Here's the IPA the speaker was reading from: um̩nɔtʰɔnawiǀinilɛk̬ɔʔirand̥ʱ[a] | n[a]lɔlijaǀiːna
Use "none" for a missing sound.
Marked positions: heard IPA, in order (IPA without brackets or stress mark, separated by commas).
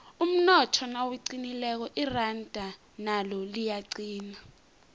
a, a